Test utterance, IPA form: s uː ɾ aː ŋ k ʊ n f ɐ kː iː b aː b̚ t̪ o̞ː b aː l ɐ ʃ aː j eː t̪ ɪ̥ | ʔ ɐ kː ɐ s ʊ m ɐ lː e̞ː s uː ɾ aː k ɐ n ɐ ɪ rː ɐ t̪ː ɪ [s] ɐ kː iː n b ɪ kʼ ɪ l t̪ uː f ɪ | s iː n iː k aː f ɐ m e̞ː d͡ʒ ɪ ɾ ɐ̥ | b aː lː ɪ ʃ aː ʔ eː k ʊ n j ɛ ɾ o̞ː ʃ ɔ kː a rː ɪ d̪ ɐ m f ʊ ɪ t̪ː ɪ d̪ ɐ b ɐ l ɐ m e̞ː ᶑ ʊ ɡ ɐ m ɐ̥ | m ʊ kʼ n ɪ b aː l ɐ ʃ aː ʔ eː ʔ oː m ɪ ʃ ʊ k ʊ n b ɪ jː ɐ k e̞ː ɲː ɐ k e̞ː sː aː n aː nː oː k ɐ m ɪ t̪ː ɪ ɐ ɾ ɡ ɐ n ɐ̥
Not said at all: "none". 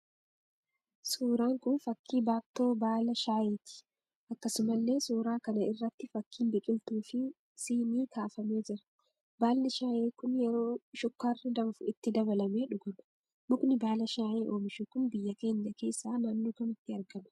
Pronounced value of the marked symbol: f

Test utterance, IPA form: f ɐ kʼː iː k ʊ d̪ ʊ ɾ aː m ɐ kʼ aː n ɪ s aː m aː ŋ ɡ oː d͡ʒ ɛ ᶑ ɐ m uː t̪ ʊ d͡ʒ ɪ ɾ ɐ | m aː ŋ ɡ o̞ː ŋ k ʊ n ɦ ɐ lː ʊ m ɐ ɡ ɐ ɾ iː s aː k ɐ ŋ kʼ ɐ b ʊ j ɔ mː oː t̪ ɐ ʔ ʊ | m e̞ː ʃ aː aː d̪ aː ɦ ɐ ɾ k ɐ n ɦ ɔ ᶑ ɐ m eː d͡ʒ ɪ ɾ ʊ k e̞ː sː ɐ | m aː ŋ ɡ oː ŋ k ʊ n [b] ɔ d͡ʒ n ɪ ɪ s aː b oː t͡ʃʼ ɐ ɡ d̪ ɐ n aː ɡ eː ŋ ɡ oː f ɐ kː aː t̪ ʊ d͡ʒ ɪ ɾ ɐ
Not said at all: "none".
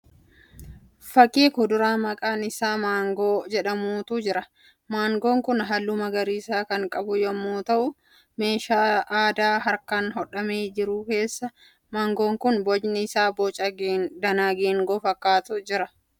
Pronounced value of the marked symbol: b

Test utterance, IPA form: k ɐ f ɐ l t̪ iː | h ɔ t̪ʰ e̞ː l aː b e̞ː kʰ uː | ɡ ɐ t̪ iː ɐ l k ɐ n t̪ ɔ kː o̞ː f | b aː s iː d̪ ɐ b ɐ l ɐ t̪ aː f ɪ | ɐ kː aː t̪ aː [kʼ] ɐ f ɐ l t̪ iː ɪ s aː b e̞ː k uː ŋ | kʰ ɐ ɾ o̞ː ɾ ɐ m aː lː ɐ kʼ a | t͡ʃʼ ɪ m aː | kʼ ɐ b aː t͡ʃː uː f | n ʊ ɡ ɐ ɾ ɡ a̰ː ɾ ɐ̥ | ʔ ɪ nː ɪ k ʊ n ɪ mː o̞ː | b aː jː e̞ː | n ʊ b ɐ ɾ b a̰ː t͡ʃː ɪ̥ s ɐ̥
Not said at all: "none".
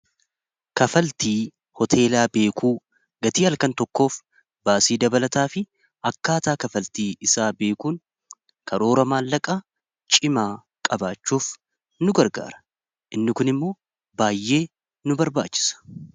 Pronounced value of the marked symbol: k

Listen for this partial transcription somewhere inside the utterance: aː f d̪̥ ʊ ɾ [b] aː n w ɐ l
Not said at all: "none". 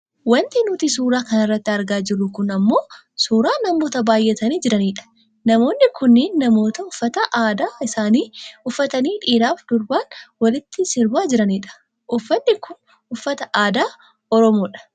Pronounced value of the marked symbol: b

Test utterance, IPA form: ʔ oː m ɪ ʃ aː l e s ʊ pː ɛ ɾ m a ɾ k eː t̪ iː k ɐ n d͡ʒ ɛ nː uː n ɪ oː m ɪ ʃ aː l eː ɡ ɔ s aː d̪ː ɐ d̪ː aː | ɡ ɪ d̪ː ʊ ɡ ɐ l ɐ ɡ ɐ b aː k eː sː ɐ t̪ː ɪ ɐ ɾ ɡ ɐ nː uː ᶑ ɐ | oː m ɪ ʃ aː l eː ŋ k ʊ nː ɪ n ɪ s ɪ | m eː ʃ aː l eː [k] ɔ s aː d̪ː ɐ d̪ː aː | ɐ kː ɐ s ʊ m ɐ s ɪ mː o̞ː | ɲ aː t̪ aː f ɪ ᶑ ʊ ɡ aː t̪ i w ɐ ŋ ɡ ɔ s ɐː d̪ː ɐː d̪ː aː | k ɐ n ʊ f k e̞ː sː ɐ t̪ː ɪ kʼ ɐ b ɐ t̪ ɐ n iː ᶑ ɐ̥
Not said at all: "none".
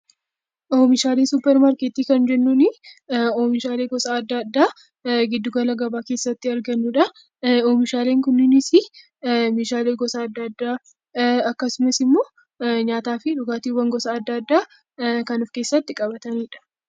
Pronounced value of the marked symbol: ɡ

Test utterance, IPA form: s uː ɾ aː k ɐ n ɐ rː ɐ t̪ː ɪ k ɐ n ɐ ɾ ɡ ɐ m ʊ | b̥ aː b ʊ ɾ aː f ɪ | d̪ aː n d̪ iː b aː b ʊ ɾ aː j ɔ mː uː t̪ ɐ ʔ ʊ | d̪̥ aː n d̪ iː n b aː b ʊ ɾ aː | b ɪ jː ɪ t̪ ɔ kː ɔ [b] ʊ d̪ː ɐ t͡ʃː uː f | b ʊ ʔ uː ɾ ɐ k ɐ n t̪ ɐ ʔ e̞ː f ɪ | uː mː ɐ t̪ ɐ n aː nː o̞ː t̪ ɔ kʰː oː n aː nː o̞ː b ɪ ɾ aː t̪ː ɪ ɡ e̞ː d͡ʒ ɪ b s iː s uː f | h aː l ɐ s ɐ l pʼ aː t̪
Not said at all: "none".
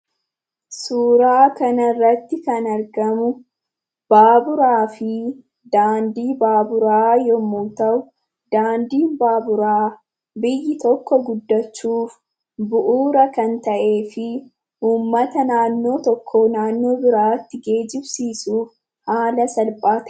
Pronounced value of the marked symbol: ɡ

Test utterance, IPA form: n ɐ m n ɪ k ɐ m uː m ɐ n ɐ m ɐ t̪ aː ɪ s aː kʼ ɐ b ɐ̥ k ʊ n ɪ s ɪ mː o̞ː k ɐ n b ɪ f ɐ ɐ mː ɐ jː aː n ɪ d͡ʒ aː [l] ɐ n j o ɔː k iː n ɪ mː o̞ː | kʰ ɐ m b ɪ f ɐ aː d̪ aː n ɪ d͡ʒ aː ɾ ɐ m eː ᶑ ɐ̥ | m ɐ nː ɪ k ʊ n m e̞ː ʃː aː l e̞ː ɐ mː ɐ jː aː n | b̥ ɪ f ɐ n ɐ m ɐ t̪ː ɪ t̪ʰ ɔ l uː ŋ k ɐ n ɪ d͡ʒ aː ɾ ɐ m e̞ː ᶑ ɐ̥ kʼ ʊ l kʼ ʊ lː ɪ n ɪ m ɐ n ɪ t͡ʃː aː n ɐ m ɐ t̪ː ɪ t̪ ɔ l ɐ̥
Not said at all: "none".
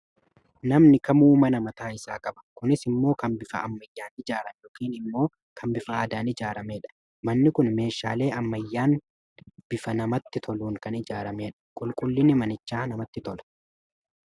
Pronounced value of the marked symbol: ɾ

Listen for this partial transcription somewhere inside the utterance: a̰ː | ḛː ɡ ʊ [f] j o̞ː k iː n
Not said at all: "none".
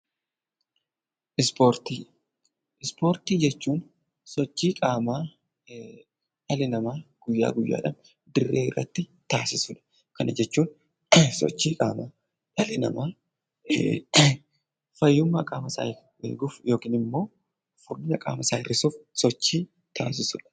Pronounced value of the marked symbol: f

